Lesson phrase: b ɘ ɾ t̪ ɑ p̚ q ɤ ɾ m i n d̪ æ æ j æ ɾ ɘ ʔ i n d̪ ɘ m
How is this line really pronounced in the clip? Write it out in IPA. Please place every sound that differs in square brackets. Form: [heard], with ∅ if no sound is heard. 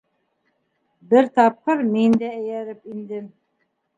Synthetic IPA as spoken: b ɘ ɾ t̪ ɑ p̚ q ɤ ɾ m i n d̪ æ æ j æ ɾ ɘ [p] i n d̪ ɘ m